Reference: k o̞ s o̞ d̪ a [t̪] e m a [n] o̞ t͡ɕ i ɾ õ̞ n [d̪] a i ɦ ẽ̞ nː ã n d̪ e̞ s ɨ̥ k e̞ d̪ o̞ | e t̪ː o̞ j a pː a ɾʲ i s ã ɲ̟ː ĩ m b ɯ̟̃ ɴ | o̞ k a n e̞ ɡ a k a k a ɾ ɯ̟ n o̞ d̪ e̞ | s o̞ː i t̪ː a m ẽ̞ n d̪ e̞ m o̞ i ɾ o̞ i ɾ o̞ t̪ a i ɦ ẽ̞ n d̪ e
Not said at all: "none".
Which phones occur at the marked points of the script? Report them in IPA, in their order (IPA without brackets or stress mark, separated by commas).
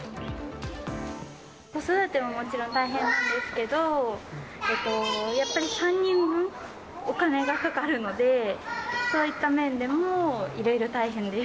t̪, m, t̪